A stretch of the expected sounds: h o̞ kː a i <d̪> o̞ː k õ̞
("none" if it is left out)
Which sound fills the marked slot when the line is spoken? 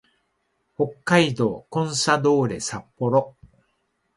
d̪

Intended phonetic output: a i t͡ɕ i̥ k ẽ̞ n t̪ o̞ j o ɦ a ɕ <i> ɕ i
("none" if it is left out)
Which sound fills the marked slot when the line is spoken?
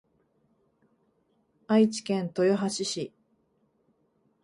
i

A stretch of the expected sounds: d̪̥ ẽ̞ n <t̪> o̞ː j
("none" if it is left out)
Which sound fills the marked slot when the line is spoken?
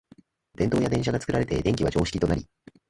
t̪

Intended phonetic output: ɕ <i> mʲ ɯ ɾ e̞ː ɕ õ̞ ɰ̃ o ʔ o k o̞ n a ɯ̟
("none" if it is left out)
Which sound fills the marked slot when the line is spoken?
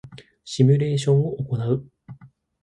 i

